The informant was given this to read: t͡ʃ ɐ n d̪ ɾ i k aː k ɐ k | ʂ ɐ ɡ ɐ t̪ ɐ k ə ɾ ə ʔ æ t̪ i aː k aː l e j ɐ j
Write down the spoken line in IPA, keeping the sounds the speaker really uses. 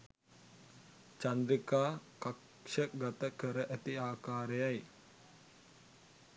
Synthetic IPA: t͡ʃ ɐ n d̪ ɾ i k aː k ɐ k | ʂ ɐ ɡ ɐ t̪ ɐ k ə ɾ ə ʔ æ t̪ i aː k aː ɾ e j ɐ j